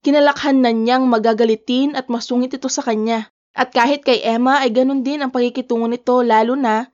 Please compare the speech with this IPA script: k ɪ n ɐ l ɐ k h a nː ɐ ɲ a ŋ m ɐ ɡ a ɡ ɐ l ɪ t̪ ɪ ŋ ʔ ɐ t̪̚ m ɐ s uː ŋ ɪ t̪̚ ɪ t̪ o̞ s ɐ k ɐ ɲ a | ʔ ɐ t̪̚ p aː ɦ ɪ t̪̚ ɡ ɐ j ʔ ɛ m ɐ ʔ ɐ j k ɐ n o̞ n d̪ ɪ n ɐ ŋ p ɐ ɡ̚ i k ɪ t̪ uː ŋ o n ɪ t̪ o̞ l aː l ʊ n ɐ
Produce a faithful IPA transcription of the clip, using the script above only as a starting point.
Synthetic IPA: k ɪ n ɐ l ɐ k h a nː ɐ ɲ a ŋ m ɐ ɡ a ɡ ɐ l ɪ t̪ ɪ n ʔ ɐ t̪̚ m ɐ s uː ŋ ɪ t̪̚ ɪ t̪ o̞ s ɐ k ɐ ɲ a | ʔ ɐ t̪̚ k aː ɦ ɪ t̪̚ k ɐ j ʔ ɛ m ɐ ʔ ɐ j ɡ ɐ n o̞ n d̪ ɪ n ɐ ŋ p ɐ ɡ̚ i k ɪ t̪ uː ŋ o n ɪ t̪ o̞ l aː l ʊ n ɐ